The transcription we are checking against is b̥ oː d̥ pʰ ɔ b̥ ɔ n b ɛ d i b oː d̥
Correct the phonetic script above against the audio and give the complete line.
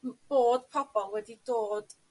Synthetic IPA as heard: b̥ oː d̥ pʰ ɔ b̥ ɔ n w ɛ d i d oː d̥